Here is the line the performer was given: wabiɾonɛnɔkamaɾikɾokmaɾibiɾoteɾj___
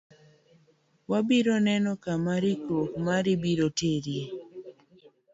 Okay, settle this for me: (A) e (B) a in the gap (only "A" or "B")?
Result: A